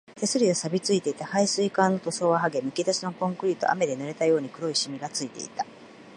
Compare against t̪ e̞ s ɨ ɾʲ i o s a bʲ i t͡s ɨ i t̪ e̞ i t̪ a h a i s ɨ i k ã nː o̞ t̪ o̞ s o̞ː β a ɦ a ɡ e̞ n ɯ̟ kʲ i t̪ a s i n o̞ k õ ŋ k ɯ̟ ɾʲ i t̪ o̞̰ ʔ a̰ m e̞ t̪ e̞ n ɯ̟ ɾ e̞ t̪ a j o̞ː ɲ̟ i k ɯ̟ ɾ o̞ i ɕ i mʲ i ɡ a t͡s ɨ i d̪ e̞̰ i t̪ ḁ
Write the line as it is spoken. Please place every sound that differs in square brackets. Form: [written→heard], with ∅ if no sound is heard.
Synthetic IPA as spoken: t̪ e̞ s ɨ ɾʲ i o s a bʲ i t͡s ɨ i t̪ e̞ i t̪ a h a i s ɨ i k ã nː o̞ t̪ o̞ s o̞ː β a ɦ a ɡ e̞ [n→m] ɯ̟ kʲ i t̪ a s i n o̞ k õ ŋ k ɯ̟ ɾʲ i t̪ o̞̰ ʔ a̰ m e̞ [t̪→d̪] e̞ n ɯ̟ ɾ e̞ t̪ a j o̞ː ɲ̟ i k ɯ̟ ɾ o̞ i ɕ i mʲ i ɡ a t͡s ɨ i [d̪→t̪] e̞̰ i t̪ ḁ